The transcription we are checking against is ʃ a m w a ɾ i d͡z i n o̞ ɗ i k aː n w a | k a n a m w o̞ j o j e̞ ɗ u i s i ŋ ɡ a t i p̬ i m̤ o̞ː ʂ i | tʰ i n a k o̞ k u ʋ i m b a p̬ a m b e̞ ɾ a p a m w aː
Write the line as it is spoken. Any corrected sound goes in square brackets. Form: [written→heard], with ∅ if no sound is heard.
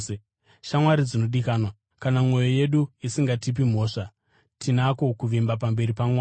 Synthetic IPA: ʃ a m w a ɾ i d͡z i n o̞ ɗ i k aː n w a | k a n a m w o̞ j o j e̞ ɗ u i s i ŋ ɡ a t i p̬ i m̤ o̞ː ʂ [i→a] | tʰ i n a k o̞ k u ʋ i m b a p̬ a m b e̞ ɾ [a→i] p a m w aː